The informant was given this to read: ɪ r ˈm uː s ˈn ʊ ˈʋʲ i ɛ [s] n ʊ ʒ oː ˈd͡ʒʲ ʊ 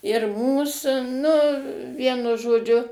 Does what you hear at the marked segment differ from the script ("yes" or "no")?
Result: yes